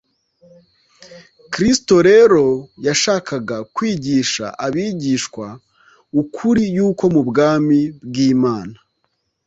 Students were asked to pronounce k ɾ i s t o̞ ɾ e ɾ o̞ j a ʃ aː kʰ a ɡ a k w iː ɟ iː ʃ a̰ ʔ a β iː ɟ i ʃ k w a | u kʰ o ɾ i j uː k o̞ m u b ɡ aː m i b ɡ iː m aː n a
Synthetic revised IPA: k ɾ i s t o̞ ɾ e ɾ o̞ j a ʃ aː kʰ a ɡ a k w iː ɟ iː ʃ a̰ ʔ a β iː ɟ i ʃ k w a | u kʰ u ɾ i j uː k o̞ m u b ɡ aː m i b ɡ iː m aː n a

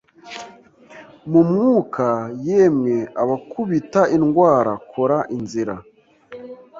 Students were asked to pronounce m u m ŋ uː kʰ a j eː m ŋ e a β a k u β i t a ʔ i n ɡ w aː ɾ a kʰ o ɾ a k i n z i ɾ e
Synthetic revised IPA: m u m ŋ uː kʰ a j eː m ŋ e a β a k u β i t a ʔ i n ɡ w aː ɾ a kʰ o ɾ a ʔ i n z i ɾ a

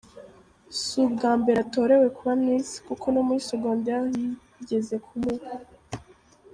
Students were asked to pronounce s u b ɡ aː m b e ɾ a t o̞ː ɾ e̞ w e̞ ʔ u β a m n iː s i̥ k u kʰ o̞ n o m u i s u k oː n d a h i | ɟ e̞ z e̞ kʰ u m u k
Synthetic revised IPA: s u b ɡ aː m b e ɾ a t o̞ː ɾ e̞ w e̞ k u β a m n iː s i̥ k u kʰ o̞ n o m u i s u ɡ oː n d a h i | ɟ e̞ z e̞ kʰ u m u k

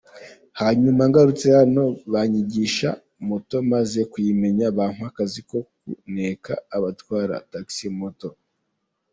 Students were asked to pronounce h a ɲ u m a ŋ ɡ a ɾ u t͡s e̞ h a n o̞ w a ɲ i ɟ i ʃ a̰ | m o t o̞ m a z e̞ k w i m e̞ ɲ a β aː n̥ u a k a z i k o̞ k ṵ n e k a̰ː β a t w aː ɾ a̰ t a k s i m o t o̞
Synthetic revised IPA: h a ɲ u m a ŋ ɡ a ɾ u t͡s e̞ h a n o̞ β a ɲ i ɟ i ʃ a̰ | m o t o̞ m a z e̞ k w i m e̞ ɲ a β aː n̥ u a k a z i k o̞ k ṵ n e k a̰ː β a t w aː ɾ a̰ t a k s i m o t o̞

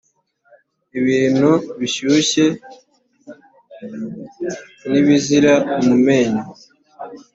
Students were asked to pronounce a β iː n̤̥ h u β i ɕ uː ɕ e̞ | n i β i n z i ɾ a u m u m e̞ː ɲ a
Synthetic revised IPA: i β iː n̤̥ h u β i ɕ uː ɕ e̞ | n i β i z i ɾ a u m u m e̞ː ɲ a

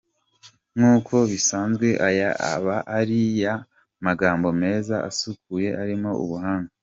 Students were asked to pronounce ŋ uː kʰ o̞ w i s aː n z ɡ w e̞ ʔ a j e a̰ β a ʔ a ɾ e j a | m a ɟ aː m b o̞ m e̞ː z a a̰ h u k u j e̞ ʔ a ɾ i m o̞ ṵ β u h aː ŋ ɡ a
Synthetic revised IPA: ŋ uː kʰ o̞ β i s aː n z ɡ w e̞ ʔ a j a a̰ β a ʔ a ɾ i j a | m a ɡ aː m b o̞ m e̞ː z a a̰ s u k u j e̞ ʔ a ɾ i m o̞ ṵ β u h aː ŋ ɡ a

